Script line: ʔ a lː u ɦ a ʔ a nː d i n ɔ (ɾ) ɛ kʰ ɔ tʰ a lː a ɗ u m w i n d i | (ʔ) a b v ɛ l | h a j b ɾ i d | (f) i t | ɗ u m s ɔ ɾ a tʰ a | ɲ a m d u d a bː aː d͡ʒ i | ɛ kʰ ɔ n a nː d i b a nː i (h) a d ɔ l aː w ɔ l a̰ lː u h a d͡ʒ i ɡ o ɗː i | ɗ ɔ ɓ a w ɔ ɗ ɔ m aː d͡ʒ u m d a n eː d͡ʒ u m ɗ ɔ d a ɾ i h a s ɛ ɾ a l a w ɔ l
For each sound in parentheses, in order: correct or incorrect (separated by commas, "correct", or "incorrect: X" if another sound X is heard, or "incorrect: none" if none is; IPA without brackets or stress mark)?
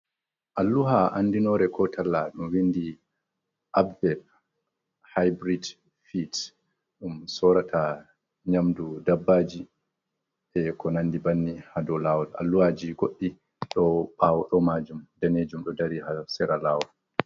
correct, correct, correct, correct